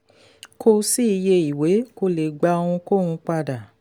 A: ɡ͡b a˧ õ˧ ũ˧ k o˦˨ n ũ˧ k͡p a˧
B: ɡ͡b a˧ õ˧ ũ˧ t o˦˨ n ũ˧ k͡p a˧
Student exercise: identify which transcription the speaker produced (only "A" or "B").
A